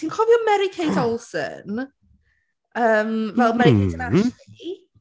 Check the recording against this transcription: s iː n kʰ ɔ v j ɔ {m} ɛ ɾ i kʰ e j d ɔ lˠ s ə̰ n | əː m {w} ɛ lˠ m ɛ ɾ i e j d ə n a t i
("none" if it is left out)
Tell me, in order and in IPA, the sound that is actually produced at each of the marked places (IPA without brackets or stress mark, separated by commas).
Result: m, v